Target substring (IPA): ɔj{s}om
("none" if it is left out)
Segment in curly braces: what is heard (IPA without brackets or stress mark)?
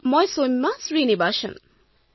s